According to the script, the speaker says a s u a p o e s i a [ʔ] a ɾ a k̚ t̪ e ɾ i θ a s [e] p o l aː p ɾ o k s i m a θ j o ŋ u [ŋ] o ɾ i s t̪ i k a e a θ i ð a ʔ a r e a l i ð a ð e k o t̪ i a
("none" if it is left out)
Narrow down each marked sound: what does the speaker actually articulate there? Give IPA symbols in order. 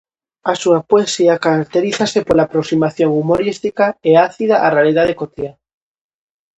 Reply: k, e, m

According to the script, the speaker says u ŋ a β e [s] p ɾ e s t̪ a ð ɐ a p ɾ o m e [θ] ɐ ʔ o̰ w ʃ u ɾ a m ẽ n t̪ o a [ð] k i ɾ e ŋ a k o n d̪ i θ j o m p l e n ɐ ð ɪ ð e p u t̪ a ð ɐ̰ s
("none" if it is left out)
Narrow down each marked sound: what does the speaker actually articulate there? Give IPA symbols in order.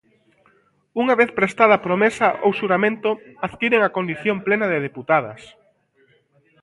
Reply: θ, s, ð

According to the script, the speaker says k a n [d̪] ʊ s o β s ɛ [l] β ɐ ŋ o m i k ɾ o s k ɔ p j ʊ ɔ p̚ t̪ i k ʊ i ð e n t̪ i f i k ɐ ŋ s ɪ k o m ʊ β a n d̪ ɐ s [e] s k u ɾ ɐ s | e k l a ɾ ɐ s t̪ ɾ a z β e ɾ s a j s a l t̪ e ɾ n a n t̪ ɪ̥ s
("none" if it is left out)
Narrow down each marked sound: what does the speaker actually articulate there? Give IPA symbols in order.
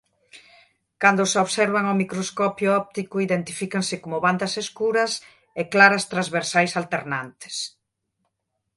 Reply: d̪, ɾ, e

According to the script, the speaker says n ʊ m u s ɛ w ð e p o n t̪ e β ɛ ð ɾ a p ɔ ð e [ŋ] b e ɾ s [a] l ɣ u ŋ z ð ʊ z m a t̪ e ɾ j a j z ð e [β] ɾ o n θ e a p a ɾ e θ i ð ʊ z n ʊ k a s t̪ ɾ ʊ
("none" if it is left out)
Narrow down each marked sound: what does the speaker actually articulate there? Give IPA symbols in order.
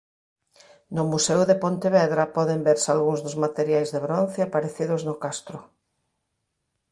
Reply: m, a, β

